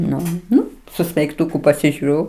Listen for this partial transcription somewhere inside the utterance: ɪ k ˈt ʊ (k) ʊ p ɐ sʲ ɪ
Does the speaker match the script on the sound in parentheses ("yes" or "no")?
yes